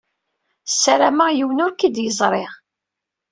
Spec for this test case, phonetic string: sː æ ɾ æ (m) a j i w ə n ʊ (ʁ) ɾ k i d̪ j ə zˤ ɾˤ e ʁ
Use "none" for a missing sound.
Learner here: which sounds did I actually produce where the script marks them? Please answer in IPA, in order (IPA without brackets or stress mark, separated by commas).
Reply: m, none